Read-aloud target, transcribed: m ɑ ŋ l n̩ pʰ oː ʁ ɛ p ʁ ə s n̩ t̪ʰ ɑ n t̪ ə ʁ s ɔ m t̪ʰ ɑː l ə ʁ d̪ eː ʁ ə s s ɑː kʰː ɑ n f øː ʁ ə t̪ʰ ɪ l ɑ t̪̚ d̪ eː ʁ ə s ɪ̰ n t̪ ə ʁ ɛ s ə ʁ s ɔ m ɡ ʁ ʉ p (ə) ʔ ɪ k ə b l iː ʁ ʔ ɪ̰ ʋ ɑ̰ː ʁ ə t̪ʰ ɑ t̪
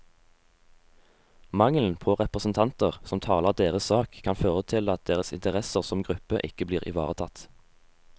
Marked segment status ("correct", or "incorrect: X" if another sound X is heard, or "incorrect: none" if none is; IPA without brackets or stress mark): correct